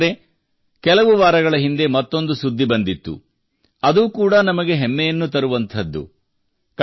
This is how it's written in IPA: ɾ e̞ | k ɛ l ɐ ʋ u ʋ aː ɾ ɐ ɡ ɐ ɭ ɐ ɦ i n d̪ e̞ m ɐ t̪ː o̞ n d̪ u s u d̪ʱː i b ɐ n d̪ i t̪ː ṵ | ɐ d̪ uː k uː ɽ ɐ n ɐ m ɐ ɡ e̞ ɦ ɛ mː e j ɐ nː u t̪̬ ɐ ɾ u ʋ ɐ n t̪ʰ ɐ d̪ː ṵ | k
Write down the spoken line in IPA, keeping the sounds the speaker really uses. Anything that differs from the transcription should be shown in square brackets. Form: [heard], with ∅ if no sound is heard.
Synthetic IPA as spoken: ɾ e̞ | k ɛ l ɐ ʋ u ʋ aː ɾ ɐ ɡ ɐ ɭ ɐ ɦ i n d̪ e̞ m ɐ t̪ː o̞ n d̪ u s u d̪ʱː i b ɐ n d̪ i t̪ː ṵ | ɐ d̪ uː k uː ɽ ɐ n ɐ m ɐ ɡ e̞ ɦ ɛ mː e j ɐ nː u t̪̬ ɐ ɾ u ʋ ɐ n t̪ʰ ɐ d̪ː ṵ | k